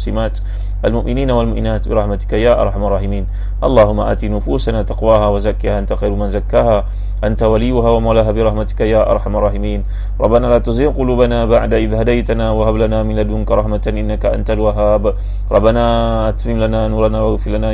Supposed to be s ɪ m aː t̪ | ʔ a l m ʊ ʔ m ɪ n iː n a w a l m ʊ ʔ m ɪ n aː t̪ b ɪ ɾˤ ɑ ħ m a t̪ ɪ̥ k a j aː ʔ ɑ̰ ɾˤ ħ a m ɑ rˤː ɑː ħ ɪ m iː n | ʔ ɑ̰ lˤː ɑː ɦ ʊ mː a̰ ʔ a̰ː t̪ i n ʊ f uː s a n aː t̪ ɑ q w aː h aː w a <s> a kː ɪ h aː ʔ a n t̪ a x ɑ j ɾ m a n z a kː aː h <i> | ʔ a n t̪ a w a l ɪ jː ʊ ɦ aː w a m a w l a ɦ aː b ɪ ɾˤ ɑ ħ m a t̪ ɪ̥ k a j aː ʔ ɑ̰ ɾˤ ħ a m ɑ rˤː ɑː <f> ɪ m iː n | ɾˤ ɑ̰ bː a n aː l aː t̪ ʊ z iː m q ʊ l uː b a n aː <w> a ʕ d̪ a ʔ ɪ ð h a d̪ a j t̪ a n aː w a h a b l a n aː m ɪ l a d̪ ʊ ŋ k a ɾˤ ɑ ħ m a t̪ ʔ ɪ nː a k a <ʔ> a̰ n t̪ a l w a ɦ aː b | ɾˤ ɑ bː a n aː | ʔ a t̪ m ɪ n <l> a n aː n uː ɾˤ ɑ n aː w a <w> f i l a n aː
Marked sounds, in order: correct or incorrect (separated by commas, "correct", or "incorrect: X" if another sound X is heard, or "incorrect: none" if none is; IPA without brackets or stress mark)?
incorrect: z, incorrect: a, incorrect: ħ, incorrect: b, correct, correct, incorrect: ɣ